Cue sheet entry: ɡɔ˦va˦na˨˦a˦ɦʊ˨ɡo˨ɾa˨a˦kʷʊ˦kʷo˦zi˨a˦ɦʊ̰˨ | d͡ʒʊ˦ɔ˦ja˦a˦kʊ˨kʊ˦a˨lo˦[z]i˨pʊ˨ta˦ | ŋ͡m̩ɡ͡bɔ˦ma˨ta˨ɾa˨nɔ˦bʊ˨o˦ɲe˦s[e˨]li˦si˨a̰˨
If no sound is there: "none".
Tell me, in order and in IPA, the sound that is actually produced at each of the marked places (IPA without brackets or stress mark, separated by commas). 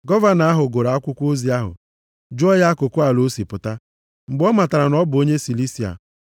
s, i˨